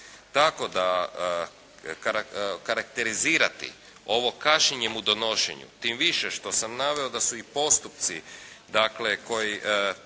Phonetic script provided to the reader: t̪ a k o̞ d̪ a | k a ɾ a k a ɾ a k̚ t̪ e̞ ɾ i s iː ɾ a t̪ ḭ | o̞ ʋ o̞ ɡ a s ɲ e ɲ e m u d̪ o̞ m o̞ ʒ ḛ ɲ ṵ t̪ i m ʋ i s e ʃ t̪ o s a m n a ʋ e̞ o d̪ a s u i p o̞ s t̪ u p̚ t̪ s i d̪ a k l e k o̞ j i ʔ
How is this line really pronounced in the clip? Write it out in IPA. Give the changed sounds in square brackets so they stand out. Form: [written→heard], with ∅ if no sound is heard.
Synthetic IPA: t̪ a k o̞ d̪ a | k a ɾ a k a ɾ a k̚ t̪ e̞ ɾ i [s→z] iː ɾ a t̪ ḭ | o̞ ʋ o̞ [ɡ→k] a [s→ʃ] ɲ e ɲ e m u d̪ o̞ [m→n] o̞ [ʒ→ʃ] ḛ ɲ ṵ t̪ i m ʋ i [s→ʃ] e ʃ t̪ o s a m n a ʋ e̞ o d̪ a s u i p o̞ s t̪ u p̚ t̪ s i d̪ a k l e k o̞ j i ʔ